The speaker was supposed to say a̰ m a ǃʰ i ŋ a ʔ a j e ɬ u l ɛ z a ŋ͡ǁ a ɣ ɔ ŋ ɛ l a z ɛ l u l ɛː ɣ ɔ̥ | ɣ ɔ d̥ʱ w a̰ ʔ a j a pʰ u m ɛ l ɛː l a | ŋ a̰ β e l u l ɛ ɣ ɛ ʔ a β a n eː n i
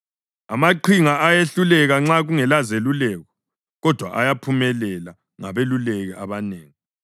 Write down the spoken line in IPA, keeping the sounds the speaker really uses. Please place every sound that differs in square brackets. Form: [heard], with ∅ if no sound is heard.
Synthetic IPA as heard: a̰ m a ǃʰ i ŋ a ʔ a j e ɬ u l ɛ [ɣ] a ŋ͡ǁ a ɣ [u] ŋ ɛ l a z [e] l u l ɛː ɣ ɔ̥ | ɣ ɔ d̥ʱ w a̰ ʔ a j a pʰ u m ɛ l [ɛ] l a | ŋ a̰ β e l u l ɛ ɣ ɛ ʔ a β a n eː [ŋ] i